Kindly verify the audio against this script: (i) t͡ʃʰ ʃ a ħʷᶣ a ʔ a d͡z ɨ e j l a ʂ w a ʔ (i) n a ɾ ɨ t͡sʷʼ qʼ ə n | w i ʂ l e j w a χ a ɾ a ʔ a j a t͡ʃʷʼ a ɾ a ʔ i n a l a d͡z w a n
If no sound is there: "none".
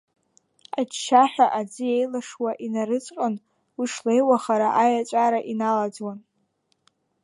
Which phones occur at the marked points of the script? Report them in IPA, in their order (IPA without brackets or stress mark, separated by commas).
a, i